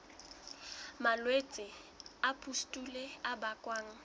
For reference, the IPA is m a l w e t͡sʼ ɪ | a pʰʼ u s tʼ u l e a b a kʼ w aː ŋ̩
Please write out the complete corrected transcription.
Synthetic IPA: m a l w e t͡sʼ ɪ | a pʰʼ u s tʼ u l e a b a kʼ w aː ŋ̩